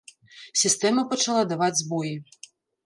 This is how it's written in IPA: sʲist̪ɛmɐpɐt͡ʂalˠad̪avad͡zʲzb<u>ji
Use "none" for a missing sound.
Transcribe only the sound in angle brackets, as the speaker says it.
ɔ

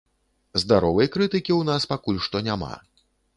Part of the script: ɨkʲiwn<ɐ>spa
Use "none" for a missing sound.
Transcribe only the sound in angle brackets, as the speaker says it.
a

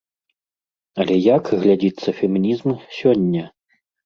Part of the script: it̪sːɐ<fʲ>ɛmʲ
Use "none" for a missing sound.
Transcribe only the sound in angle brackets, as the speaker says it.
fʲ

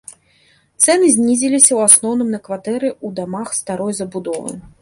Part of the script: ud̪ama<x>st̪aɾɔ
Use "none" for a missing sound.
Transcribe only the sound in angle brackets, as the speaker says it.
x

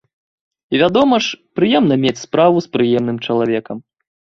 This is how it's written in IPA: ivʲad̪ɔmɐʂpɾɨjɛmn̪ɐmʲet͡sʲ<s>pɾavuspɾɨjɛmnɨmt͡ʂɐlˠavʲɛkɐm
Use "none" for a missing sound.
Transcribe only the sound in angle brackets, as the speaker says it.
s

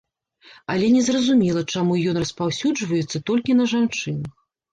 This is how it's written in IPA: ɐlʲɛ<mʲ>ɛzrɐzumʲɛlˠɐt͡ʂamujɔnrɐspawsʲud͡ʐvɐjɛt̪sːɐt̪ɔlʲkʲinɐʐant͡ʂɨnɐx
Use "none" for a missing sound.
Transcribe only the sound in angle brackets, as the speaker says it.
nʲ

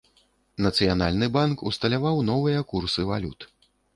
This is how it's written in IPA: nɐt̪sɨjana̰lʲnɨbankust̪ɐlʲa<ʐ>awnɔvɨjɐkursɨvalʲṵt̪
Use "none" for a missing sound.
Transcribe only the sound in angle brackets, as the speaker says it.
v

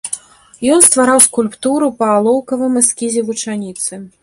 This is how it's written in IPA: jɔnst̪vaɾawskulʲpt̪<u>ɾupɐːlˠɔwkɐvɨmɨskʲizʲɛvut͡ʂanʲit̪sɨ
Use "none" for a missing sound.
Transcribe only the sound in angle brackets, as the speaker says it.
u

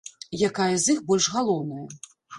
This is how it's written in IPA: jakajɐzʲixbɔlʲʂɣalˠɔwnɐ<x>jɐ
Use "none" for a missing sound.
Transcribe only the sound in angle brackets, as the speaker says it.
none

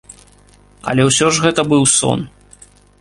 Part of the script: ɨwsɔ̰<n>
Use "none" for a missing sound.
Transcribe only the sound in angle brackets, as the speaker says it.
n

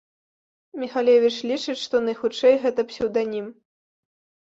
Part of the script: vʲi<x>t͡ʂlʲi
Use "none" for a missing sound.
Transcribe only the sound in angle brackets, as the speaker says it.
none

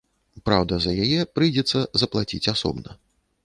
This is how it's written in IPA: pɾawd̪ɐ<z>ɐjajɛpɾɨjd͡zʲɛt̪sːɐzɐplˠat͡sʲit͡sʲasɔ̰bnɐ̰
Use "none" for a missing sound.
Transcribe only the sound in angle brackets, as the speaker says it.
z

